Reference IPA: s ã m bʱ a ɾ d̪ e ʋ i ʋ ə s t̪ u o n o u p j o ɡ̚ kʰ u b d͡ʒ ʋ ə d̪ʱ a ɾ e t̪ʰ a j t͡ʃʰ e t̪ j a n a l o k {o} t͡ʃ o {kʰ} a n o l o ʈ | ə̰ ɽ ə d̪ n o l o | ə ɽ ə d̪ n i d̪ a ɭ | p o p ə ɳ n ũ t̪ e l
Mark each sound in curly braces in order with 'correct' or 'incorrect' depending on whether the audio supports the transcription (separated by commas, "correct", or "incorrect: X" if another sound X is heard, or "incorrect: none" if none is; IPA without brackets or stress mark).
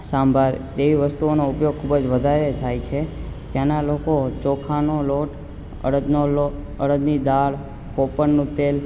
correct, correct